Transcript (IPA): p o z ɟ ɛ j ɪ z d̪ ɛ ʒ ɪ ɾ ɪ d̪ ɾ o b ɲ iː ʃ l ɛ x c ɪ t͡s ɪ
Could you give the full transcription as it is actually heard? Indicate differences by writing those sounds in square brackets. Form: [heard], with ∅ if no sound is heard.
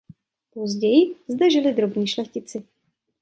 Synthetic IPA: p o z ɟ ɛ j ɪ z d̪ ɛ ʒ ɪ [l] ɪ d̪ ɾ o b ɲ iː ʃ l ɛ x c ɪ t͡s ɪ